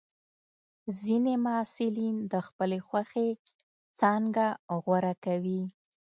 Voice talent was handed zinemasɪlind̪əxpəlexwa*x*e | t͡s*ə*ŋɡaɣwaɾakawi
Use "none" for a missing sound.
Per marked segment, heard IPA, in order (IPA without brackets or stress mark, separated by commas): x, ɑ